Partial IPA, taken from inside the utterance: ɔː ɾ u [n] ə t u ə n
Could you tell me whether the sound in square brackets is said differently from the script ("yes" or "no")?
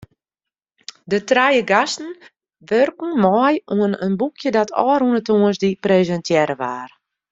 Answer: no